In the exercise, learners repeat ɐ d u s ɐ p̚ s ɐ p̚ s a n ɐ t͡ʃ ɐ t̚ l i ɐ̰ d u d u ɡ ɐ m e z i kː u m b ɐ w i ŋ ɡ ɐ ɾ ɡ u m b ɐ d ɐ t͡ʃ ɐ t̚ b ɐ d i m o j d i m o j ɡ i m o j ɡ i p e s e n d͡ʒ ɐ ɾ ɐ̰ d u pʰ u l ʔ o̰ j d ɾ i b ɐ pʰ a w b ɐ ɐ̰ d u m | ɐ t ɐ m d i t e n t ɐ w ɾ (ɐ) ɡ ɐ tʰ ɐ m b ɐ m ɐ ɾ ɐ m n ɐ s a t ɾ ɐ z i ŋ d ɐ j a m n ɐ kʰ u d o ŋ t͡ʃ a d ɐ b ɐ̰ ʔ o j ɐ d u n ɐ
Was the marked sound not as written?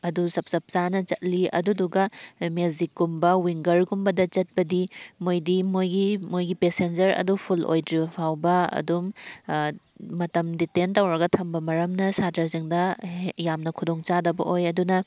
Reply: no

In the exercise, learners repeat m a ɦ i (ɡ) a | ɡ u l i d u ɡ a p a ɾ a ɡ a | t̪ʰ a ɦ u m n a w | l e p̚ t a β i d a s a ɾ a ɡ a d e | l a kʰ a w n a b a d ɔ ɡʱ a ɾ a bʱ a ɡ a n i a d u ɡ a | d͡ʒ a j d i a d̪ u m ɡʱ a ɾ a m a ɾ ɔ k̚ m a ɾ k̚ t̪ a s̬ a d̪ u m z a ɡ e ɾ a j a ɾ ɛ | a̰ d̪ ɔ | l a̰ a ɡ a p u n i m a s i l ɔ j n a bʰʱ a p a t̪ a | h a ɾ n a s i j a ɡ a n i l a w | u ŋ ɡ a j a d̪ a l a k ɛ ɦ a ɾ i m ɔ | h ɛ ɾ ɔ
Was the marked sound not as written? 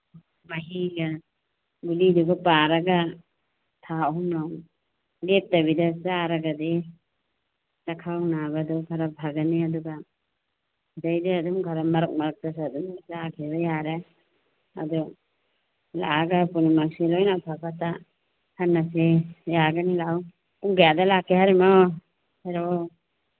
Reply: no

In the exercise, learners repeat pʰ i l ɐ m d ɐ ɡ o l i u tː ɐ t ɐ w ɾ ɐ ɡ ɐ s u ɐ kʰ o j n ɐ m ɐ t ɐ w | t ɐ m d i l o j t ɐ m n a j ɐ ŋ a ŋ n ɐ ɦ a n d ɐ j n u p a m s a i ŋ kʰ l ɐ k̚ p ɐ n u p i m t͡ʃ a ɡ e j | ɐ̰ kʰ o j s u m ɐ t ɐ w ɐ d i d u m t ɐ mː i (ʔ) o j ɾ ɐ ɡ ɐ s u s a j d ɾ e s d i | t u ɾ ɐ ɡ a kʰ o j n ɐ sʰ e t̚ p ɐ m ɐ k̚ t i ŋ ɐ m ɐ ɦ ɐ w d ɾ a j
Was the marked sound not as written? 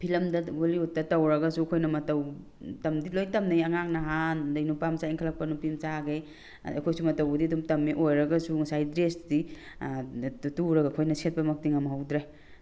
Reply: no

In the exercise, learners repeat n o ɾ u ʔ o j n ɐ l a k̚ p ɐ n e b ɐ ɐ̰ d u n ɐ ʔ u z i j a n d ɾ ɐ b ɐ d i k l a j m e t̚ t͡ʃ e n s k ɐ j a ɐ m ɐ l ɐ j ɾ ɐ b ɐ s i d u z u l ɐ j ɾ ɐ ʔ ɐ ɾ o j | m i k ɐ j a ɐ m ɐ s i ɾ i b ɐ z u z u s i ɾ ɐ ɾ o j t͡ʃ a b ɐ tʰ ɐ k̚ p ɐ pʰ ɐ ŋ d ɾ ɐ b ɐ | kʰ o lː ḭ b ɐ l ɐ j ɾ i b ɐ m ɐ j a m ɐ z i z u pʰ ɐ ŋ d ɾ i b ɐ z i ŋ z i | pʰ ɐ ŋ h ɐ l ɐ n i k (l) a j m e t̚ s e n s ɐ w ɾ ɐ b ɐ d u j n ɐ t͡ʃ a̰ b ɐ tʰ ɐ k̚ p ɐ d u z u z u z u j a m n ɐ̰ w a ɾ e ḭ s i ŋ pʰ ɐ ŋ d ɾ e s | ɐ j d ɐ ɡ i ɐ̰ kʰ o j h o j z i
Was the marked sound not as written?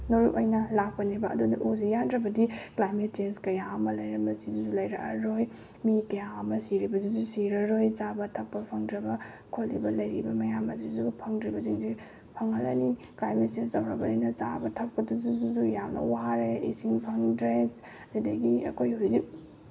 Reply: no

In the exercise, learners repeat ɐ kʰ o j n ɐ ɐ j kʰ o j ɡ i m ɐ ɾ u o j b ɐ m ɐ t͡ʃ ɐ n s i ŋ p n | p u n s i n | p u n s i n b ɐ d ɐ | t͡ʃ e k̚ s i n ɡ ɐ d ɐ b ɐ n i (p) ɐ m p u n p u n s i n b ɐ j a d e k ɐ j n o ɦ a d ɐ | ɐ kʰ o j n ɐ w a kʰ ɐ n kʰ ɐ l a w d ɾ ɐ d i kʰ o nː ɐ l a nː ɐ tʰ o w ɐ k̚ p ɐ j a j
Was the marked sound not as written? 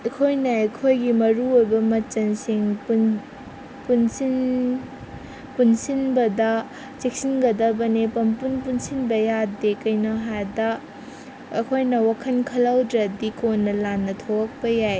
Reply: no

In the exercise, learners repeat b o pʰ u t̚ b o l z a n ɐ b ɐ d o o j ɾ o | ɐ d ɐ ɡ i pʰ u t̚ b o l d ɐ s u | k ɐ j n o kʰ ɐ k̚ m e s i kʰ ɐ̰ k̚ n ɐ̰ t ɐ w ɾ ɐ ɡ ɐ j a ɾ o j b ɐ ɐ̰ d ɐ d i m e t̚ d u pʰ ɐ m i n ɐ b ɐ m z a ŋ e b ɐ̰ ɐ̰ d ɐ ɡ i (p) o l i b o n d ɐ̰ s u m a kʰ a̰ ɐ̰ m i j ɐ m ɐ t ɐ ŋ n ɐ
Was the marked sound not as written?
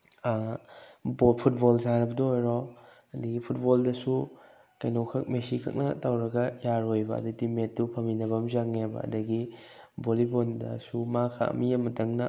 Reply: yes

